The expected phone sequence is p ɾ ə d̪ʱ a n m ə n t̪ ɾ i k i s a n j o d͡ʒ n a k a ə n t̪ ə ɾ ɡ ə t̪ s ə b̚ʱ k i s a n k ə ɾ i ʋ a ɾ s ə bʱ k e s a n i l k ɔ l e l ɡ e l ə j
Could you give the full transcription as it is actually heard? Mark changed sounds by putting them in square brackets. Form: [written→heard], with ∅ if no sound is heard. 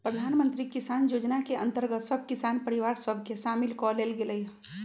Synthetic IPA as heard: p ɾ ə d̪ʱ a n m ə n t̪ ɾ i k i s a n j o d͡ʒ n a k [a→e] ə n t̪ ə ɾ ɡ ə t̪ s ə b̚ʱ k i s a n [k→p] ə ɾ i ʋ a ɾ s ə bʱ k e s a [n→m] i l k ɔ l e l ɡ e l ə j